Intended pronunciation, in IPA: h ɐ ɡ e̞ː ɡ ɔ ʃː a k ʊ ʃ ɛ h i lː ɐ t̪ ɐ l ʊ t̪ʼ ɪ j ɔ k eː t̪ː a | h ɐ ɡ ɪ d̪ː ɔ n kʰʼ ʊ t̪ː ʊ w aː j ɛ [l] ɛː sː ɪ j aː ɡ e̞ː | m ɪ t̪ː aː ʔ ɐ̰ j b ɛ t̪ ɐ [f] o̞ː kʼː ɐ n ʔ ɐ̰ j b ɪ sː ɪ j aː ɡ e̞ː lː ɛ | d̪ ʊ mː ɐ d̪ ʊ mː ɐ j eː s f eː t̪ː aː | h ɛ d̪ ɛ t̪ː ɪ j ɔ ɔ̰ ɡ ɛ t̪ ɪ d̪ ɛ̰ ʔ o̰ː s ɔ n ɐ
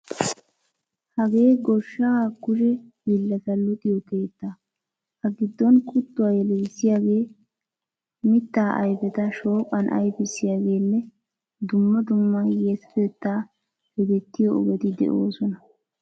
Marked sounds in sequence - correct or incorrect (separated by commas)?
correct, incorrect